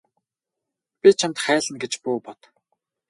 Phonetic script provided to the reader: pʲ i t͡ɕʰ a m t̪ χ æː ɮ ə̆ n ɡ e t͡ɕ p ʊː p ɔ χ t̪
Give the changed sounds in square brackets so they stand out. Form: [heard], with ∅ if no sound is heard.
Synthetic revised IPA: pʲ i t͡ɕʰ a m t̪ χ æː ɮ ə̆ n ɡ e t͡ɕ p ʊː p ɔ [∅] t̪